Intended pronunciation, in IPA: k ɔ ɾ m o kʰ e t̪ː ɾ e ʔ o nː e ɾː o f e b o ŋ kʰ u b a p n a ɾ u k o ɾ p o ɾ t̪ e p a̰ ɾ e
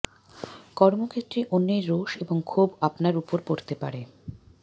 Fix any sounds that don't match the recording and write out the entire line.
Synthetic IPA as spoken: k ɔ ɾ m o kʰ e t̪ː ɾ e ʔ o nː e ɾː o ʃ e b o ŋ kʰ u b a p n a ɾ u p o ɾ p o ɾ t̪ e p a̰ ɾ e